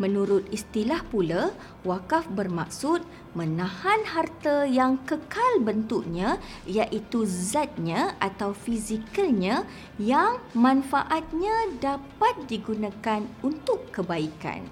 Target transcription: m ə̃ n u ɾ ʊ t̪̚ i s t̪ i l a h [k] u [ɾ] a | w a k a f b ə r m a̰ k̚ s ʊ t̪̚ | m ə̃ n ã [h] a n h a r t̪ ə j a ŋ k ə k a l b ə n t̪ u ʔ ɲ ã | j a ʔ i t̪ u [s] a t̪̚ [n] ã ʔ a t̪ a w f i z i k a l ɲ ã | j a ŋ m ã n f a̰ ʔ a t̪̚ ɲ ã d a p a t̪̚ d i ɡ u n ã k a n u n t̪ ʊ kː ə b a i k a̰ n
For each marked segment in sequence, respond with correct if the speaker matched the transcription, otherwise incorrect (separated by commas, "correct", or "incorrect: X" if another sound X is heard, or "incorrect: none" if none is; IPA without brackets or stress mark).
incorrect: p, incorrect: l, correct, incorrect: z, incorrect: ɲ